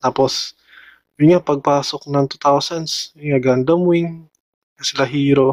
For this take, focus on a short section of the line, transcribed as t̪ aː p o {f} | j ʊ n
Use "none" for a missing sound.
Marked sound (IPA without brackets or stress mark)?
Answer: s